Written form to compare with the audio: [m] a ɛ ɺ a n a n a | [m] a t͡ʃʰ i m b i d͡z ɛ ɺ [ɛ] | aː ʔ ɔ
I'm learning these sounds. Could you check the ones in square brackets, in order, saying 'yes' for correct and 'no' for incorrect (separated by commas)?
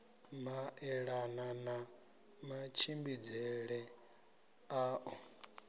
yes, yes, yes